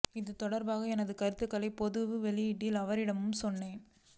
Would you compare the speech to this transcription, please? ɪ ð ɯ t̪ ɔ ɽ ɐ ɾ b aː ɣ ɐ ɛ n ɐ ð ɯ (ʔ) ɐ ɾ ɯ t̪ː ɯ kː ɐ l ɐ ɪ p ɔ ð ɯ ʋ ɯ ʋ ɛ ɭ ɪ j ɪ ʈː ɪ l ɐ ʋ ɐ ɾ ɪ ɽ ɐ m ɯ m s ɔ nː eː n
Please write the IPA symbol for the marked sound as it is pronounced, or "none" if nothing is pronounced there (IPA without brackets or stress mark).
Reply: k